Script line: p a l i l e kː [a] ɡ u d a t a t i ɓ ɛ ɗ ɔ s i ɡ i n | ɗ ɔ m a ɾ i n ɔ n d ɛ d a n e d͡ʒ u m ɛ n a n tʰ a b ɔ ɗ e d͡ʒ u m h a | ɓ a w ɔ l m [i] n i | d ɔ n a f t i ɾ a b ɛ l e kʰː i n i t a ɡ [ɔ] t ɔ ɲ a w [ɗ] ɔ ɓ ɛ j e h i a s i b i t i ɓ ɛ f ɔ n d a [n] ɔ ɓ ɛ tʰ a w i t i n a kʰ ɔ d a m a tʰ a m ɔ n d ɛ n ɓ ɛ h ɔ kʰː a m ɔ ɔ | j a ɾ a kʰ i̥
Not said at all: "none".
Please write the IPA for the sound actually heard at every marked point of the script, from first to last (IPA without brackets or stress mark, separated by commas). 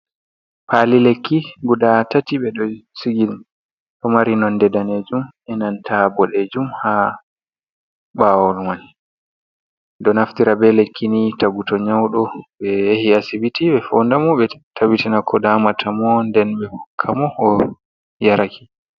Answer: i, a, u, ɗ, m